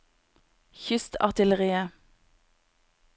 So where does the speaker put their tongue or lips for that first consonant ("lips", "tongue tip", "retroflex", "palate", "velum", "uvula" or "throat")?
palate